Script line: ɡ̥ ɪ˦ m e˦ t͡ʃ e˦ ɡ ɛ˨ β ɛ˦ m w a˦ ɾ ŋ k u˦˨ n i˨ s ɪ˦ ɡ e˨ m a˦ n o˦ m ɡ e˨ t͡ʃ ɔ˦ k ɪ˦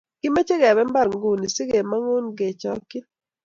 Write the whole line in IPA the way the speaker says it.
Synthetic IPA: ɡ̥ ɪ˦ m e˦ t͡ʃ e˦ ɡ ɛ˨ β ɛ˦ m b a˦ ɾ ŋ ɡ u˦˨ n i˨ s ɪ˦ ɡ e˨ m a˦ ŋ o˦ n ɡ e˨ t͡ʃ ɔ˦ k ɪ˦